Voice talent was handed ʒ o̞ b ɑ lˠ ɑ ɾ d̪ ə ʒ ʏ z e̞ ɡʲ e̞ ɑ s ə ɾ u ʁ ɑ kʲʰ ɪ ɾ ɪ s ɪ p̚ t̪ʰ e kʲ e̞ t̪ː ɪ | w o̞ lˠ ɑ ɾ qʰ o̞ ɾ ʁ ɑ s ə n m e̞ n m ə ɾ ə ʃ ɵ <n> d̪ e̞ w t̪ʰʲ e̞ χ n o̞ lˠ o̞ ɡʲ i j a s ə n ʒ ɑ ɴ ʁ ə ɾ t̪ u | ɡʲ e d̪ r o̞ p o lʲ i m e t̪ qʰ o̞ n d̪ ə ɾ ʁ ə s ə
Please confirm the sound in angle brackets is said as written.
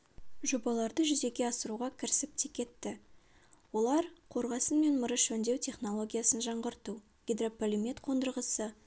yes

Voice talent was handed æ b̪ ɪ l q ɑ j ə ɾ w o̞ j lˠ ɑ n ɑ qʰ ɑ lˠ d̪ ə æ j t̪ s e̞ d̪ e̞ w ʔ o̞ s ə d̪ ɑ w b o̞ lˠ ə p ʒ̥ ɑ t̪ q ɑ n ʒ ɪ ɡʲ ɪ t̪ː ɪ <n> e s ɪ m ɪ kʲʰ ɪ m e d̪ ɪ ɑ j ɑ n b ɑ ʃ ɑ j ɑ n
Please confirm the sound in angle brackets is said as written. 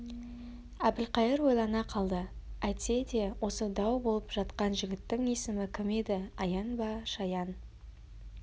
no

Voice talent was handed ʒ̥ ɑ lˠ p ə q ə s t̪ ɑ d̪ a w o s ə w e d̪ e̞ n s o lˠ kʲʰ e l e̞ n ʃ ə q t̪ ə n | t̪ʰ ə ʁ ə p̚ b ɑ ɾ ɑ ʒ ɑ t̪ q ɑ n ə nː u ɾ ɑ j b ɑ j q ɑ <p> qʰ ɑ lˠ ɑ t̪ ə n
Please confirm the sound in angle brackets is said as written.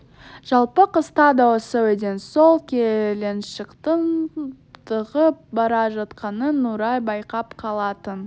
yes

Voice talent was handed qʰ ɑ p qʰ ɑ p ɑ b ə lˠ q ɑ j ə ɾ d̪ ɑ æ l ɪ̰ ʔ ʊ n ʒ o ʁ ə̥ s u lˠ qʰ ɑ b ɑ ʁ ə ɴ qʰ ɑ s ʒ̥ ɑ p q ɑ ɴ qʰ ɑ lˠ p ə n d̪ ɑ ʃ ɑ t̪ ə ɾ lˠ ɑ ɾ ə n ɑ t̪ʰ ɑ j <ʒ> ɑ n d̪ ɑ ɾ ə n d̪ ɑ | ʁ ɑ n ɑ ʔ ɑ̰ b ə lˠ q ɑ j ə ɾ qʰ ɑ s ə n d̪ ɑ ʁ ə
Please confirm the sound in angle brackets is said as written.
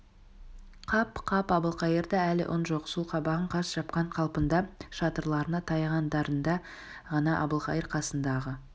no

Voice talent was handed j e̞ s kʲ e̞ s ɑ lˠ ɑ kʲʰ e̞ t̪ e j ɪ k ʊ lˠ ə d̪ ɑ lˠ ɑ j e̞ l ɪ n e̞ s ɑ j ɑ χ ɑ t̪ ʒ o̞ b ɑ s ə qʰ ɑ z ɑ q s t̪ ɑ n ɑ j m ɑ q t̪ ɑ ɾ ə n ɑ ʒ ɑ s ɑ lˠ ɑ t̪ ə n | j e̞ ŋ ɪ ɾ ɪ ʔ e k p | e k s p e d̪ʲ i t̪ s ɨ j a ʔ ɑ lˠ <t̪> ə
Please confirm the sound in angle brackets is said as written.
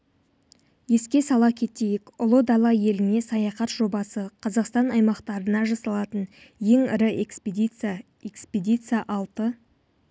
yes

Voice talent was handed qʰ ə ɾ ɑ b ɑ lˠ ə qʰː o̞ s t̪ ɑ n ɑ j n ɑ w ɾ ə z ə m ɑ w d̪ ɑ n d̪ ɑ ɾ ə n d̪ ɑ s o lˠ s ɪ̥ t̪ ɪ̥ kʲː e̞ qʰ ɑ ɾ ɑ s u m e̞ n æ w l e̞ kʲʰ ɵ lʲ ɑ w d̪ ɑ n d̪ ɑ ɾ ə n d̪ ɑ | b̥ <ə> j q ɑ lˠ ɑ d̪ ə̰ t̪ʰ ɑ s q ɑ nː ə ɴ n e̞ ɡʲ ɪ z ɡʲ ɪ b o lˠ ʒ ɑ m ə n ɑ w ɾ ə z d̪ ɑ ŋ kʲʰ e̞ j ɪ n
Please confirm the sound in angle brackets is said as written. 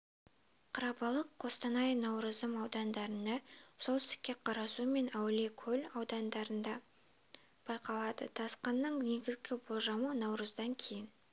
no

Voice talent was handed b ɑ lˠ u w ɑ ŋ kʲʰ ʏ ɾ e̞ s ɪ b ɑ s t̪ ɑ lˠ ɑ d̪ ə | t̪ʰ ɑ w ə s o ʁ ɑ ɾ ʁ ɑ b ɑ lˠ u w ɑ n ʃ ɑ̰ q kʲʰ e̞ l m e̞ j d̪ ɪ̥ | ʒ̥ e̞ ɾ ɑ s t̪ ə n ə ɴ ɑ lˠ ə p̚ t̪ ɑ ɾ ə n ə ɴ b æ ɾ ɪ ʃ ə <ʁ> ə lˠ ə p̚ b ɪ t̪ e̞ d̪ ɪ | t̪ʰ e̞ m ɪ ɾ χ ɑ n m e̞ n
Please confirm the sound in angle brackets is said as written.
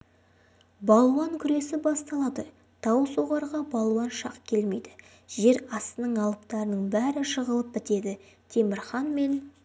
yes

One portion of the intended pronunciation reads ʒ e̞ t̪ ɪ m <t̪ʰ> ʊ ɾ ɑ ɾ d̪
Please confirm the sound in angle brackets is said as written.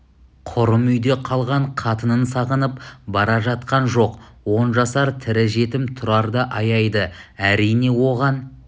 yes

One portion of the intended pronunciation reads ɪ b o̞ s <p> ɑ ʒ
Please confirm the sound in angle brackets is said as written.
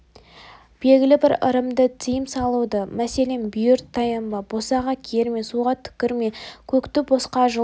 no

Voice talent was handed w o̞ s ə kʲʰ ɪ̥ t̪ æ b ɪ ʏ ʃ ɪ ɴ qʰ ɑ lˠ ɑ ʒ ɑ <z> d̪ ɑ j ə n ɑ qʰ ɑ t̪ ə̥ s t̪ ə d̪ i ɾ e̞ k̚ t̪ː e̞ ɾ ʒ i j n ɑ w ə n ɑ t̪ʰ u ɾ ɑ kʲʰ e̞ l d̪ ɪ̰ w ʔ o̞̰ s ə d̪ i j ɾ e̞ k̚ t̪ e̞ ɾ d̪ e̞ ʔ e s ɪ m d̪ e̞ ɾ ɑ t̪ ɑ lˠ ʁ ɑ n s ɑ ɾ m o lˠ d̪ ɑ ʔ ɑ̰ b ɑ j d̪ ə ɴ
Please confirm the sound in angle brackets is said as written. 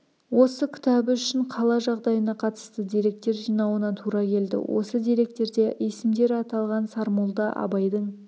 no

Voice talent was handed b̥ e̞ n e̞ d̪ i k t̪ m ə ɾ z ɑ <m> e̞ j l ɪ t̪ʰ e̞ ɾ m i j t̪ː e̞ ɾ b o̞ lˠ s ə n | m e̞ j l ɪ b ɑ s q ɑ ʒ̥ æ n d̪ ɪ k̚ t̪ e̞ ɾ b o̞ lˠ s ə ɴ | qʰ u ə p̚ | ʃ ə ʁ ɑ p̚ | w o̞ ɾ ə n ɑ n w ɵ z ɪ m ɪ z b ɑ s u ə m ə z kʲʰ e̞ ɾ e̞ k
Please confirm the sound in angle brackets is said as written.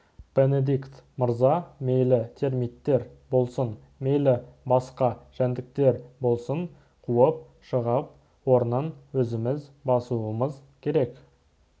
yes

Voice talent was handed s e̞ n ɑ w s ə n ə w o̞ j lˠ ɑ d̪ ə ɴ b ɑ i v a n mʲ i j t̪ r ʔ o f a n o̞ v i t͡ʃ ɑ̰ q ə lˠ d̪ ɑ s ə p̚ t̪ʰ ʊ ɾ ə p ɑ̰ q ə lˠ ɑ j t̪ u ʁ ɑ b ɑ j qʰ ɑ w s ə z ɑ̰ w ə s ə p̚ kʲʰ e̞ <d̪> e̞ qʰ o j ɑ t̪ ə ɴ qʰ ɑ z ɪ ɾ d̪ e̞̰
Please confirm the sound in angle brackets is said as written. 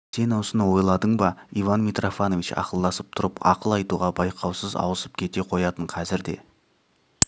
no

